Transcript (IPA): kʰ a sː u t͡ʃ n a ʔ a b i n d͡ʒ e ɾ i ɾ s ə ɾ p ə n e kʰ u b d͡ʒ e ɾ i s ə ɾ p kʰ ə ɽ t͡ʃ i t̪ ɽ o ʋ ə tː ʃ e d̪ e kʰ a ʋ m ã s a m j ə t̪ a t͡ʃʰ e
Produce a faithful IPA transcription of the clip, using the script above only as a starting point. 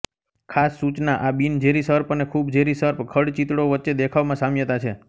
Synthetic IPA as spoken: kʰ a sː u t͡ʃ n a ʔ a b i n d͡ʒ e ɾ i s ə ɾ p ə n e kʰ u b d͡ʒ e ɾ i s ə ɾ p kʰ ə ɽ t͡ʃ i t̪ ɽ o ʋ ə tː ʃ e d̪ e kʰ a ʋ m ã s a m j ə t̪ a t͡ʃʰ e

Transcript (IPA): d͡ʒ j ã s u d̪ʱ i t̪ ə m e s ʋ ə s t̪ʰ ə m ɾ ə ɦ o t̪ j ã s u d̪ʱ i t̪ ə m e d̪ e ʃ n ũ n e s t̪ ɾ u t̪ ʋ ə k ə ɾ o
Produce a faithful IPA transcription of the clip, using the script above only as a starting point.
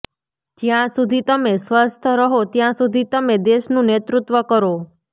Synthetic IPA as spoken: d͡ʒ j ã s u d̪ʱ i t̪ ə m e s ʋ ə s t̪ʰ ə ɾ ə ɦ o t̪ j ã s u d̪ʱ i t̪ ə m e d̪ e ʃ n ũ n e t̪ ɾ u t̪ ʋ ə k ə ɾ o

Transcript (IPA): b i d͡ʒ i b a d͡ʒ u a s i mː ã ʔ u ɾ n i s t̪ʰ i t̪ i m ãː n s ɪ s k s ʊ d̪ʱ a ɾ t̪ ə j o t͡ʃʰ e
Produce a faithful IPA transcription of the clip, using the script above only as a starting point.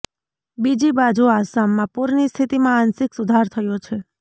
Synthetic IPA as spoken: b i d͡ʒ i b a d͡ʒ u a s a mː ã p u ɾ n i s t̪ʰ i t̪ i m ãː n s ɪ k s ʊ d̪ʱ a ɾ t̪ʰ ə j o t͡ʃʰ e

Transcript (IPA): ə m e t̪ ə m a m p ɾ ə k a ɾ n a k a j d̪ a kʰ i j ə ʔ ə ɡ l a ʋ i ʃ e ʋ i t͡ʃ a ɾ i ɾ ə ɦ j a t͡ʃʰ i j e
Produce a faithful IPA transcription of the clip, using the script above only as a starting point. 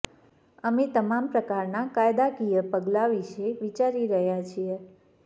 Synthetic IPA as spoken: ə m e t̪ ə m a m p ɾ ə k a ɾ n a k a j d̪ a k i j ə p ə ɡ l a ʋ i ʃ e ʋ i t͡ʃ a ɾ i ɾ ə ɦ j a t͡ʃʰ i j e

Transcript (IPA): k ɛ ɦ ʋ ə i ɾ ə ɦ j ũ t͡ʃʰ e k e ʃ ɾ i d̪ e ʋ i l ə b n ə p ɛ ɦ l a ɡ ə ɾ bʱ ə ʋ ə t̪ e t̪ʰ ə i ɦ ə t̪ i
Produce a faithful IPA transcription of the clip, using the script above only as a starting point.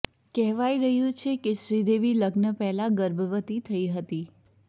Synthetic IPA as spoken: k ɛ ɦ ʋ a i ɾ ə ɦ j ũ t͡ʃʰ e k e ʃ ɾ i d̪ e ʋ i l ə ɡ n ə p ɛ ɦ l a ɡ ə ɾ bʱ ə ʋ ə t̪ i t̪ʰ ə i ɦ ə t̪ i

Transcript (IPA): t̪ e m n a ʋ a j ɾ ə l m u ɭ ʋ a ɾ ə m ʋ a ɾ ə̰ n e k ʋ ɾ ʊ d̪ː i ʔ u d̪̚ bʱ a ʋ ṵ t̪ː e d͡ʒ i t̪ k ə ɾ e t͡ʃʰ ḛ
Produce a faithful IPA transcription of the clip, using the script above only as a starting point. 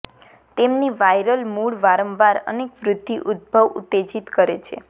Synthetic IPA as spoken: t̪ e m n i ʋ a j ɾ ə l m u ɭ ʋ a ɾ ə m ʋ a ɾ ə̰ n e k ʋ ɾ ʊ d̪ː i ʔ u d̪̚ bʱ ə ʋ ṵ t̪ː e d͡ʒ i t̪ k ə ɾ e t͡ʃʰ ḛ

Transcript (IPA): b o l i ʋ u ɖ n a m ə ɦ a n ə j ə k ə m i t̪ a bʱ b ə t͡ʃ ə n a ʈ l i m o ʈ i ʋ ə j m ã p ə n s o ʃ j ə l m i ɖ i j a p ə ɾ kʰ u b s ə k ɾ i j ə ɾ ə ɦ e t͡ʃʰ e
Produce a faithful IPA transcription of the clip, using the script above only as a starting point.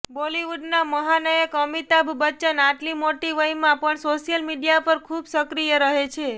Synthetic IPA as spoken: b o l i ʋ u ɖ n a m ə ɦ a n ə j ə k ə m i t̪ a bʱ b ə t͡ʃ ə n a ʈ l i m o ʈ i ʋ ə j m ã p ə ɳ s o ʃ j ə l m i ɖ i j a p ə ɾ kʰ u b s ə k ɾ i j ə ɾ ə ɦ e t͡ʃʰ e

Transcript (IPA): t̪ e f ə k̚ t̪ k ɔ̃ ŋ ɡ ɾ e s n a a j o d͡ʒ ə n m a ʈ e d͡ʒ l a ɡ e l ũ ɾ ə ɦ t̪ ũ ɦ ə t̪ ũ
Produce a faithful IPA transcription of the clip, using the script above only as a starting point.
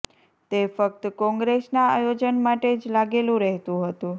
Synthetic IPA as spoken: t̪ e f ə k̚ t̪ k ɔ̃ ŋ ɡ ɾ e s n a a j o d͡ʒ ə n m a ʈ e d͡ʒ l a ɡ e l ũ ɾ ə ɦ t̪ ũ ɦ ə t̪ ũ

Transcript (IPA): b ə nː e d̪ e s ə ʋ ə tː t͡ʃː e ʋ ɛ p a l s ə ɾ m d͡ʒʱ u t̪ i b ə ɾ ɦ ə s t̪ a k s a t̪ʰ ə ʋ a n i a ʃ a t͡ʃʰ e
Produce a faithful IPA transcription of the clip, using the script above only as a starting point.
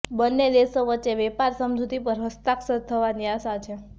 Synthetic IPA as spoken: b ə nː e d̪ e s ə ʋ ə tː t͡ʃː e ʋ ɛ p a ɾ s ə m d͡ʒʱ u t̪ i p ə ɾ ɦ ə s t̪ a k s ə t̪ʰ ə ʋ a n i a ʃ a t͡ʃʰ e

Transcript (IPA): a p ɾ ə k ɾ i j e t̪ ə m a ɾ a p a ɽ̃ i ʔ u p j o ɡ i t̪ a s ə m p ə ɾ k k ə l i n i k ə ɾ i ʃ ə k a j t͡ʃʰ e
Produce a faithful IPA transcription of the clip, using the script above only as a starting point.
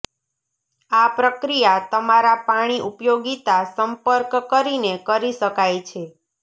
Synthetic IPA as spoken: a p ɾ ə k ɾ i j a t̪ ə m a ɾ a p a ɽ̃ i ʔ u p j o ɡ i t̪ a s ə m p ə ɾ k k ə ɾ i n e k ə ɾ i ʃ ə k a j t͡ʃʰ e

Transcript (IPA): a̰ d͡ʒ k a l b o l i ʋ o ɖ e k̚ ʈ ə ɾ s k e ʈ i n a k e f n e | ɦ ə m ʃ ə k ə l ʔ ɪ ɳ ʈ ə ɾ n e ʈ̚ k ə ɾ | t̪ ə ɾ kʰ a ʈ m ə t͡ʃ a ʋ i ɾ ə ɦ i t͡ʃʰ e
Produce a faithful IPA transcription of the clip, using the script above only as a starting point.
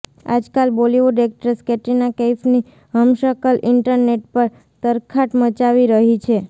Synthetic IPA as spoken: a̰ d͡ʒ k a l b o l i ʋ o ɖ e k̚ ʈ ə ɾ s k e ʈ i n a k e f n i | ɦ ə m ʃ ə k ə l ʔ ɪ ɳ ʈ ə ɾ n e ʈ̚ p ə ɾ | t̪ ə ɾ kʰ a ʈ m ə t͡ʃ a ʋ i ɾ ə ɦ i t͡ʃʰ e

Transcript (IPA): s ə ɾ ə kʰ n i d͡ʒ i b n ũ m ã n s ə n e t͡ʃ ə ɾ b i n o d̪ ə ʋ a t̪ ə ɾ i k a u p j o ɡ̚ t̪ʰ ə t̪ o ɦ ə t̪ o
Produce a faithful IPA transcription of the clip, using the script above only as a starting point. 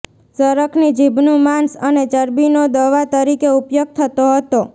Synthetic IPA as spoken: s ə ɾ ə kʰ n i d͡ʒ i b n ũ m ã n s ə n e t͡ʃ ə ɾ b i n o d̪ ə ʋ a t̪ ə ɾ i k e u p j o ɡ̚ t̪ʰ ə t̪ o ɦ ə t̪ o

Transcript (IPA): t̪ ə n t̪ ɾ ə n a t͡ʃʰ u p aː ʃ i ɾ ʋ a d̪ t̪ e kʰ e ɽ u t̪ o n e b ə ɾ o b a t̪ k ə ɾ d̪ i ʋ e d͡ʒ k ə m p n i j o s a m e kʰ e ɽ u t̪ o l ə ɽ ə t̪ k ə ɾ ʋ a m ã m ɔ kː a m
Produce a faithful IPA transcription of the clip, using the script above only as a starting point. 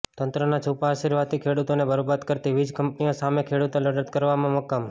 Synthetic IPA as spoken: t̪ ə n t̪ ɾ ə n a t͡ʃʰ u p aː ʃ i ɾ ʋ a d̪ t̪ i kʰ e ɽ u t̪ o n e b ə ɾ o b a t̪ k ə ɾ t̪ i ʋ i d͡ʒ k ə m p n i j o s a m e kʰ e ɽ u t̪ o l ə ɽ ə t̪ k ə ɾ ʋ a m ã m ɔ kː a m

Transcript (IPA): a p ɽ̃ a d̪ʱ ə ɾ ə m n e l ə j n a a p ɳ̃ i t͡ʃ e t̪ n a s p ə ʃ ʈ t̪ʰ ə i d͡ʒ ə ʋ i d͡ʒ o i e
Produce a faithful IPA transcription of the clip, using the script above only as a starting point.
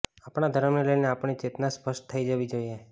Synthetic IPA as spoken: a p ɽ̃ a d̪ʱ ə ɾ ə m n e l ə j n e a p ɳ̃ i t͡ʃ e t̪ n a s p ə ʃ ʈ t̪ʰ ə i d͡ʒ ə ʋ i d͡ʒ o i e

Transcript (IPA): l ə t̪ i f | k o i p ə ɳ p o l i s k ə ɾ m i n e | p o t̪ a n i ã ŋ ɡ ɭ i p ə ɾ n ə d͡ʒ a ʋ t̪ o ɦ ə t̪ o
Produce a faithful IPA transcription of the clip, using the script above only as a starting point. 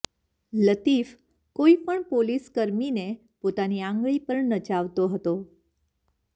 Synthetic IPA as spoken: l ə t̪ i f | k o i p ə ɳ p o l i s k ə ɾ m i n e | p o t̪ a n i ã ŋ ɡ ɭ i p ə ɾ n ə d͡ʒ a ʋ t̪ o ɦ ə t̪ o

